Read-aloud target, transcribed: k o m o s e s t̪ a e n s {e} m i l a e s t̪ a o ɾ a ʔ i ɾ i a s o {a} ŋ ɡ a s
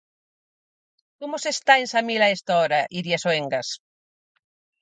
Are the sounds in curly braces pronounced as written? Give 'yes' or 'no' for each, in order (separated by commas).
no, no